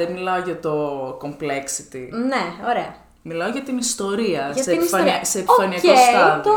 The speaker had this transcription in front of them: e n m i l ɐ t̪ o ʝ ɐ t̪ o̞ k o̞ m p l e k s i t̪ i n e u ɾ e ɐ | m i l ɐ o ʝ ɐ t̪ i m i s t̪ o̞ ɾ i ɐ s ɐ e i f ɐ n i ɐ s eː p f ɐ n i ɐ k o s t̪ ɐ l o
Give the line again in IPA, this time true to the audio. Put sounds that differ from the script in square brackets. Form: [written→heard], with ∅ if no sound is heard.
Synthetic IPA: e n m i l ɐ [t̪→∅] o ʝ ɐ t̪ o̞ k o̞ m p l e k s i t̪ i n e [u→o] ɾ e ɐ | m i l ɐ o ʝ ɐ t̪ i [m→n] i s t̪ o̞ ɾ i ɐ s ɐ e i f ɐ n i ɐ s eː p f ɐ n i ɐ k o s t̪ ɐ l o